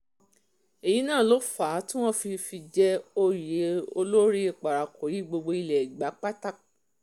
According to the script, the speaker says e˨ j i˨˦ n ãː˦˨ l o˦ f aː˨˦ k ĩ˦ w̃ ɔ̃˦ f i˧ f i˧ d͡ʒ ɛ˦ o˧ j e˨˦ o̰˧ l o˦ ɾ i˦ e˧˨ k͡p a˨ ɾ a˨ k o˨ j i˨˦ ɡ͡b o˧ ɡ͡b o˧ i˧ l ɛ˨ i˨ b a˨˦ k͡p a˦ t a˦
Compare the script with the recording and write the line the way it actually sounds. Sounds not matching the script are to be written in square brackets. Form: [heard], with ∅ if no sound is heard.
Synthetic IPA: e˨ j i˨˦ n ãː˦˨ l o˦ f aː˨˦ [t] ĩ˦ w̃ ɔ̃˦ f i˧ f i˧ d͡ʒ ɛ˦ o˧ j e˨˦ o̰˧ l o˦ ɾ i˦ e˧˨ k͡p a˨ ɾ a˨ k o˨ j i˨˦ ɡ͡b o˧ ɡ͡b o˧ i˧ l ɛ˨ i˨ [ɡ͡b] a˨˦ k͡p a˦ t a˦

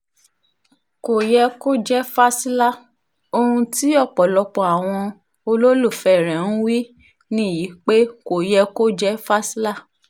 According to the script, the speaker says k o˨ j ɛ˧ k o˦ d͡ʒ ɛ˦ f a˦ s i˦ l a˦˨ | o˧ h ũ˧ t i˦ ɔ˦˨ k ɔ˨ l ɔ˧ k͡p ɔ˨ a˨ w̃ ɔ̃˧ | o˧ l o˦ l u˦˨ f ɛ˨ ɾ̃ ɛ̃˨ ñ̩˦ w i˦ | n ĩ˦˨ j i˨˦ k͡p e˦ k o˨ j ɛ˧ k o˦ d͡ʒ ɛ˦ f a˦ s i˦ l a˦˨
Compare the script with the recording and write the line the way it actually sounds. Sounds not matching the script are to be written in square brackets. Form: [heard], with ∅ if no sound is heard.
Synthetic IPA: k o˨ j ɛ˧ k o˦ d͡ʒ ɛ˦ f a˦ s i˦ l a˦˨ | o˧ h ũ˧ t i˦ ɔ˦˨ [k͡p] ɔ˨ l ɔ˧ k͡p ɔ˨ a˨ w̃ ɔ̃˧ | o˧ l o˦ l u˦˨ f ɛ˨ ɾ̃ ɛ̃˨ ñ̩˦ w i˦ | n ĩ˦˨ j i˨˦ k͡p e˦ k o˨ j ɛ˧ k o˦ d͡ʒ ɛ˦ f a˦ s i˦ l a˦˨

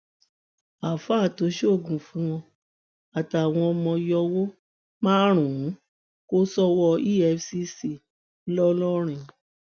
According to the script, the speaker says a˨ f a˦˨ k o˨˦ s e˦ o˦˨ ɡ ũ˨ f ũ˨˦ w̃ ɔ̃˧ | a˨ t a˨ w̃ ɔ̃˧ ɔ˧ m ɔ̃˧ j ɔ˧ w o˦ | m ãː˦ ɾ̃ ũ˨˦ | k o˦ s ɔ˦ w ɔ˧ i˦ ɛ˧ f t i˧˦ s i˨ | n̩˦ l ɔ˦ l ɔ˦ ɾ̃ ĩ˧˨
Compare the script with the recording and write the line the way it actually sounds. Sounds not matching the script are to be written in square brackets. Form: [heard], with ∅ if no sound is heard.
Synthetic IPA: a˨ f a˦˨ [t] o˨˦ [ʃ] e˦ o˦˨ ɡ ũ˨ f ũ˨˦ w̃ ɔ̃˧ | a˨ t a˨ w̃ ɔ̃˧ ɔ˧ m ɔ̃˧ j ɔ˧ w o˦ | m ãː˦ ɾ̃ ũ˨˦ | k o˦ s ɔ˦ w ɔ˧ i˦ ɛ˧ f [s] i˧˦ s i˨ | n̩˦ l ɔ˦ l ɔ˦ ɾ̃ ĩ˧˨

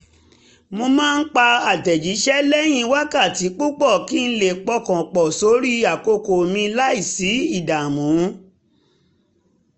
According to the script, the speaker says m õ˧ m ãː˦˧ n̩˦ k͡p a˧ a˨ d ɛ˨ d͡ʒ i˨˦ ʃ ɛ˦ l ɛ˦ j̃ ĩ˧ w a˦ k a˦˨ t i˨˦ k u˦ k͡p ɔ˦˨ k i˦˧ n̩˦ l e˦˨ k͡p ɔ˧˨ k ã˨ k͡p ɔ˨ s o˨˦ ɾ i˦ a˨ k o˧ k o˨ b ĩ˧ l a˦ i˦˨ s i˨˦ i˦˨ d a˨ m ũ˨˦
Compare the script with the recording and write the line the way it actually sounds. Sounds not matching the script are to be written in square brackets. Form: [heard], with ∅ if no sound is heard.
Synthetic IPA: m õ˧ m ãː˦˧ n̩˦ k͡p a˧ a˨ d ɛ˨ d͡ʒ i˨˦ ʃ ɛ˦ l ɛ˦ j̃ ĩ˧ w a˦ k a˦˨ t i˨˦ [k͡p] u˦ k͡p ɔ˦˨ k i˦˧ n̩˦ l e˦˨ k͡p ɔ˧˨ k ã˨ k͡p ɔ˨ s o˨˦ ɾ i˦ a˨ k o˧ k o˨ [m] ĩ˧ l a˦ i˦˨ s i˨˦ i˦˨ d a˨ m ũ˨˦

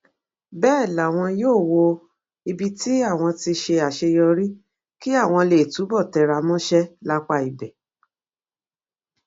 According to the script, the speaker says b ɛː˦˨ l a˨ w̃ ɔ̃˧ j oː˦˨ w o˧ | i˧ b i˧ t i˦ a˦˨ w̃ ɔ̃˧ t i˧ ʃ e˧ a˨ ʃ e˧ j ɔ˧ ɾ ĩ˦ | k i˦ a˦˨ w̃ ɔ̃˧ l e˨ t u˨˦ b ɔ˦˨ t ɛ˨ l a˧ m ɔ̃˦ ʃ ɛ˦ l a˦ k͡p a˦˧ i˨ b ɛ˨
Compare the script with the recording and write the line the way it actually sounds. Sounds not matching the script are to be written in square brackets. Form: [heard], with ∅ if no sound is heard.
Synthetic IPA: b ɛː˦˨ l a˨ w̃ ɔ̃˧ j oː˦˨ w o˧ | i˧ b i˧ t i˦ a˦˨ w̃ ɔ̃˧ t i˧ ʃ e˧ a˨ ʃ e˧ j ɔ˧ ɾ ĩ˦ | k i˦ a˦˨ w̃ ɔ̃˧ l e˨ t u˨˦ b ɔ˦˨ t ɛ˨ [ɾ] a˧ m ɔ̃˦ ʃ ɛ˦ l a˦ k͡p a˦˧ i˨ b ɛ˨

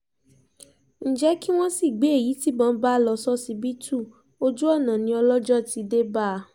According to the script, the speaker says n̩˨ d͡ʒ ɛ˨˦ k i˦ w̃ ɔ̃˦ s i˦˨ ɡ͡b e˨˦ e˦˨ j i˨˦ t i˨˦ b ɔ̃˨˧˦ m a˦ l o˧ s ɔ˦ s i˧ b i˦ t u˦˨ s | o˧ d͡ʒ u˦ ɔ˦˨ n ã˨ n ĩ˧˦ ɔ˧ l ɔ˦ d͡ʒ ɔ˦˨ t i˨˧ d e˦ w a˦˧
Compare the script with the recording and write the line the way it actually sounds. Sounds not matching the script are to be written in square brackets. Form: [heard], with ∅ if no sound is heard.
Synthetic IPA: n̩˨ d͡ʒ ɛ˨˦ k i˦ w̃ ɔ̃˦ s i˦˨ ɡ͡b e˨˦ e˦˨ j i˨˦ t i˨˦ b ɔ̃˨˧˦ [b] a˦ l [ɔ˧] s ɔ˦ s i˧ b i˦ t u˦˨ [∅] | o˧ d͡ʒ u˦ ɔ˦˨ n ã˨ n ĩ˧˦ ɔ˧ l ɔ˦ d͡ʒ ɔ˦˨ t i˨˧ d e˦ [b] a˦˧

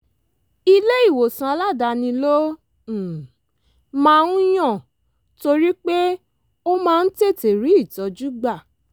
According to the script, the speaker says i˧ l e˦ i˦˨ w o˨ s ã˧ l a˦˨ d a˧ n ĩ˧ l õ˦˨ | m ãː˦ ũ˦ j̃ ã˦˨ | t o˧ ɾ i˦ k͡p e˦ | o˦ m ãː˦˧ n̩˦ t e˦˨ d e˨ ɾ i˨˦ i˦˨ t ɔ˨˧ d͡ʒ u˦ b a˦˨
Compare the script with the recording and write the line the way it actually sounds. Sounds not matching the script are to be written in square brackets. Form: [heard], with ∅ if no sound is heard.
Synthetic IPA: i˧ l e˦ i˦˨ w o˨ s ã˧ l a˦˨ d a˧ n ĩ˧ l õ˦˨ | m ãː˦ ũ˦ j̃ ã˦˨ | t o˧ ɾ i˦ k͡p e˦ | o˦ m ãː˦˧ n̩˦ t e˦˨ [t] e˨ ɾ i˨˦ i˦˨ t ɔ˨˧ d͡ʒ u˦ [ɡ͡b] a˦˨

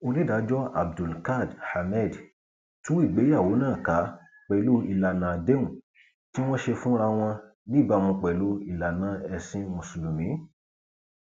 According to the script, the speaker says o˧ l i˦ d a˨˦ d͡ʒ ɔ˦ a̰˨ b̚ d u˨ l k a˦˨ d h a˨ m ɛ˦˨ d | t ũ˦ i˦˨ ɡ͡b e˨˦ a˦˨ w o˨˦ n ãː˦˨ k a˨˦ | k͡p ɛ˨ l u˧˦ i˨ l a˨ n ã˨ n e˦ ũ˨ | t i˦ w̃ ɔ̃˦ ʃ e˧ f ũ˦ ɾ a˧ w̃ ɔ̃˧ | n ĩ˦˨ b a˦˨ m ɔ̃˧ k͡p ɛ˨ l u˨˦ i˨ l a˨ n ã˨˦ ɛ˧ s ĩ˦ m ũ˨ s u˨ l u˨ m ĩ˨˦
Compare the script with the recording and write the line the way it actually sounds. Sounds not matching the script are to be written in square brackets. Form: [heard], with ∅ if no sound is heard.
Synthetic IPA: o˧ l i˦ d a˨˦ d͡ʒ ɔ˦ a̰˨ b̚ d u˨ l k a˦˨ d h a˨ m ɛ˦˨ d | t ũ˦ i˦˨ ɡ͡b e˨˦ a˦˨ w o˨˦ n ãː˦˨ k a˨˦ | k͡p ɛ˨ l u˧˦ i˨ l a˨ n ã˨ [d] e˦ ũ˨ | t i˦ w̃ ɔ̃˦ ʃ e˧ f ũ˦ ɾ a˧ w̃ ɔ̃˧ | n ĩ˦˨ b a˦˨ m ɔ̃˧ k͡p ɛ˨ l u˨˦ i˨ l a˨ n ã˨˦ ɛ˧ s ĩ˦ m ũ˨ s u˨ l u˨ m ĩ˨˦

